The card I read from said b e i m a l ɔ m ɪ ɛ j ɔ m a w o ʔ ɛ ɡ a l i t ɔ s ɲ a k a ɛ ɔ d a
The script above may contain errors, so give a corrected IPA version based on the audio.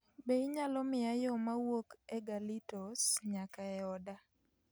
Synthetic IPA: b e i ɲ a l ɔ m ɪ a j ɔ m a w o k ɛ ɡ a l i t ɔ s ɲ a k a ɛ ɔ d a